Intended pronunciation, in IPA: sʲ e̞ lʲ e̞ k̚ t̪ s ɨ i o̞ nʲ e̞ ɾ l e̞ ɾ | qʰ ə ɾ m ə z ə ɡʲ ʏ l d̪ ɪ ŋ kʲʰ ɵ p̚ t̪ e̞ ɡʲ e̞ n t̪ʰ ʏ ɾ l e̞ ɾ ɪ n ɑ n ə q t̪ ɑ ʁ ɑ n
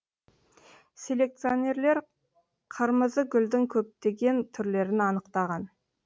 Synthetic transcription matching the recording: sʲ e̞ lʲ e̞ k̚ t̪ s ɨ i o̞ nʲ e̞ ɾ l e̞ ɾ | qʰ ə ɾ m ə z ə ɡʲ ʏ l d̪ ɪ ŋ kʲʰ ɵ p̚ t̪ e̞ ɡʲ e̞ n t̪ʰ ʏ ɾ l e̞ ɾ ɪ n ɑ n ə q t̪ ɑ ʁ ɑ n